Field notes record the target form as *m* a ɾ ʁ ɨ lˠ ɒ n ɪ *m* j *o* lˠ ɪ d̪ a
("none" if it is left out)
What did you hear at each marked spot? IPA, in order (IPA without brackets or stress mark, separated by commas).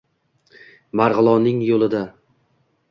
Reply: m, ŋ, o